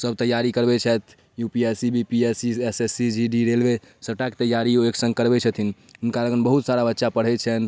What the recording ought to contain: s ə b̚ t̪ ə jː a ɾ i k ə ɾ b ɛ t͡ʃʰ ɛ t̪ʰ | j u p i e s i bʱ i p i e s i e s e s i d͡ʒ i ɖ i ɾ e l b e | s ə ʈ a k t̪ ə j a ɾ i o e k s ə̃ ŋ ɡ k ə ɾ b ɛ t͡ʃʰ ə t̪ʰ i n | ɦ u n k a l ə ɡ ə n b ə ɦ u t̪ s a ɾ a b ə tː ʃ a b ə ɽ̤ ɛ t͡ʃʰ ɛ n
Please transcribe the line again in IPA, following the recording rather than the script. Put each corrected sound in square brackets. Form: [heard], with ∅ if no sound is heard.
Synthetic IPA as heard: s ə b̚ t̪ ə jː a ɾ i k ə ɾ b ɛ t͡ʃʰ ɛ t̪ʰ | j u p i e s i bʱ i p i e s i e s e s i d͡ʒ i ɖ i ɾ e l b e | s ə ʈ a k t̪ ə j a ɾ i o e k s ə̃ ŋ ɡ k ə ɾ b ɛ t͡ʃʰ ə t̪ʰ i n | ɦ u n k a l ə ɡ ə n b ə ɦ u t̪ s a ɾ a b ə tː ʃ a [p] ə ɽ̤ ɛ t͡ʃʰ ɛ n